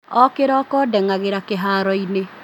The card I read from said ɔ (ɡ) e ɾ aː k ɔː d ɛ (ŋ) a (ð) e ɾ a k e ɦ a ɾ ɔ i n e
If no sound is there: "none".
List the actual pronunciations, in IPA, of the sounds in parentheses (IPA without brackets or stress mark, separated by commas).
k, ŋ, ɣ